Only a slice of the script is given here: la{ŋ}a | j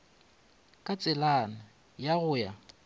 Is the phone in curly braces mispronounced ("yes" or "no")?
yes